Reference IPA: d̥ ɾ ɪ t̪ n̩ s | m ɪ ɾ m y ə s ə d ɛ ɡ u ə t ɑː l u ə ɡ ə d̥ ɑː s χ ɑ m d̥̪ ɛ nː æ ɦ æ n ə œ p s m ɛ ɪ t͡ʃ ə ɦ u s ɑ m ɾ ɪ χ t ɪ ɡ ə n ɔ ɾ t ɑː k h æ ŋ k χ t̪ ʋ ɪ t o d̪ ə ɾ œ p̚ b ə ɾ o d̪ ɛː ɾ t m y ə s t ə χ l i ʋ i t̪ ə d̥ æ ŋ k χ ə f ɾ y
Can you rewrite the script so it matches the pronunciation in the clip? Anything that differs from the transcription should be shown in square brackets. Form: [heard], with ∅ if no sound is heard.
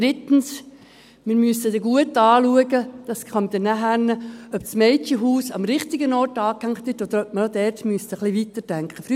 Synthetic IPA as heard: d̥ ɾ ɪ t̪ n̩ s | m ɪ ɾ m y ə s ə d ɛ ɡ u ə t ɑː l u ə ɡ ə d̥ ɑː s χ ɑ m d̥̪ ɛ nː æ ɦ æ n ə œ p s m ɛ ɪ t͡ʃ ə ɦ [uː] s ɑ m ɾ ɪ χ t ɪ ɡ ə n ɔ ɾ t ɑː k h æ ŋ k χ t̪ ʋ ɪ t o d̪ ə ɾ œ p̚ [m] ə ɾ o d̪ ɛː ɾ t m y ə s t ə χ l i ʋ i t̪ ə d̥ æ ŋ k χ ə f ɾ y